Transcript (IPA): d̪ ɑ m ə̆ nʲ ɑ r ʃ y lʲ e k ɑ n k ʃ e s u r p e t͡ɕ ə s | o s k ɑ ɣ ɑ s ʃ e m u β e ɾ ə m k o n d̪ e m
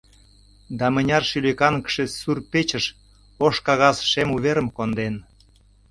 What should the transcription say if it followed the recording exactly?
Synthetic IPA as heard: d̪ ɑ m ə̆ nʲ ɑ r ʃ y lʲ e k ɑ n k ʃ e s u r p e t͡ɕ ə ʃ | o ʃ k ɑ ɣ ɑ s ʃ e m u β e ɾ ə m k o n d̪ e n

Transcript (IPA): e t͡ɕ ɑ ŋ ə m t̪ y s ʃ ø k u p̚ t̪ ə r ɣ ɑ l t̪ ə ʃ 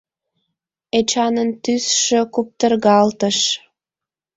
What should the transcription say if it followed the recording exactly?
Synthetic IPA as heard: e t͡ɕ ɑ n ə n t̪ y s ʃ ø k u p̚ t̪ ə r ɣ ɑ l t̪ ə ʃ

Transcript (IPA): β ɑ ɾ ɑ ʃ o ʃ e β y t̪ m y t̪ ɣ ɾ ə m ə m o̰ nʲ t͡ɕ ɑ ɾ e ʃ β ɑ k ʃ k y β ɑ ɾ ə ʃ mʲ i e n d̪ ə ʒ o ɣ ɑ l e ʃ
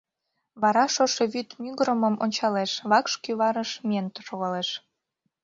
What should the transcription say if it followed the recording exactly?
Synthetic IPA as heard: β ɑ ɾ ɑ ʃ o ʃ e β y t̪ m y ɣ ɾ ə m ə m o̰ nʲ t͡ɕ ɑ l e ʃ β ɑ k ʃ k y β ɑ ɾ ə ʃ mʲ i e n t̪ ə ʃ o ɣ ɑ l e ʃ

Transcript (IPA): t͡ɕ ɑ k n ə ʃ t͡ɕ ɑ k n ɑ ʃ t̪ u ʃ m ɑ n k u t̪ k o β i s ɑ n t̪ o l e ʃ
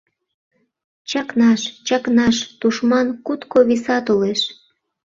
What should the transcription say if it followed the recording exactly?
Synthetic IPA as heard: t͡ɕ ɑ k n ɑ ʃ t͡ɕ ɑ k n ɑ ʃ t̪ u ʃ m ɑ n k u t̪ k o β i s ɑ t̪ o l e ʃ

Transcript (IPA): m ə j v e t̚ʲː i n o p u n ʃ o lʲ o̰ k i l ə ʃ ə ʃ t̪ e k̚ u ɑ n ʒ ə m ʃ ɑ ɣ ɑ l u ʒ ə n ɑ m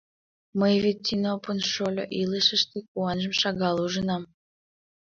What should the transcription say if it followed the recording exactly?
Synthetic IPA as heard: m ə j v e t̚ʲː i n o p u n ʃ o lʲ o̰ ʔ i l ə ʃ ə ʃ t̪ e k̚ u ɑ n ʒ ə m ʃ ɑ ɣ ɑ l u ʒ ə n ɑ m

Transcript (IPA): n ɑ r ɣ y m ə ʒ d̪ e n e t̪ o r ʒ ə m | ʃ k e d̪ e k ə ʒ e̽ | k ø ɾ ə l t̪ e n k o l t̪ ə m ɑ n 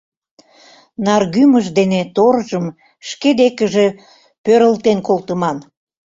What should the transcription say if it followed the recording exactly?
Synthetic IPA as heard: n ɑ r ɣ y m ə ʒ d̪ e n e t̪ o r ʒ ə m | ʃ k e d̪ e k ə ʒ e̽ | p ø ɾ ə l t̪ e n k o l t̪ ə m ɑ n

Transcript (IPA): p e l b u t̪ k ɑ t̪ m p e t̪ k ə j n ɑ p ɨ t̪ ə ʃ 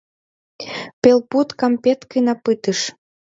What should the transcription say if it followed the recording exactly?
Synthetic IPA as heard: p e l p u t̪ k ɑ m p e t̪ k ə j n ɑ p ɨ t̪ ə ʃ

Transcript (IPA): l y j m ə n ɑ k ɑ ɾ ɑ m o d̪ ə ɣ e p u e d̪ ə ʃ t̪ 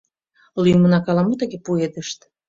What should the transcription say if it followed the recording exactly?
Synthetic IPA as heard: l y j m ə n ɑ k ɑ l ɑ m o t̪ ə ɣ e p u e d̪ ə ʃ t̪

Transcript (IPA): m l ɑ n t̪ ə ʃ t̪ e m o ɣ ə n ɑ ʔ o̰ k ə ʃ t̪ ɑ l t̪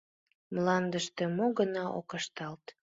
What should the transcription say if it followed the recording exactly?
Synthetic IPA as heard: m l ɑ n d̪ ə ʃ t̪ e m o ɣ ə n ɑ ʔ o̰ k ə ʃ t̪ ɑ l t̪

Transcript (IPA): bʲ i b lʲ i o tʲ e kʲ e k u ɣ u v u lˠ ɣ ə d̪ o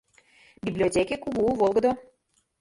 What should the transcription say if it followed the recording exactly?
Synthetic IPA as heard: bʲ i b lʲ i o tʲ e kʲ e k u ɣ u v o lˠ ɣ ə d̪ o

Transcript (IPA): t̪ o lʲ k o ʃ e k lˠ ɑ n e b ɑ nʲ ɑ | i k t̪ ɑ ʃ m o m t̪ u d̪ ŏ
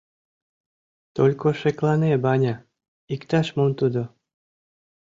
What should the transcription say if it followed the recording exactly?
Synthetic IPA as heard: t̪ o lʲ k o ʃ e k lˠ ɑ n e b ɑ nʲ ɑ | i k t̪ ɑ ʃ m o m t̪ u d̪ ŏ

